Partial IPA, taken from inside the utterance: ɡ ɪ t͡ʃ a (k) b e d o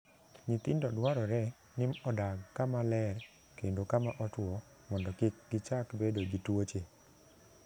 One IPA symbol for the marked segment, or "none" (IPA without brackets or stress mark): k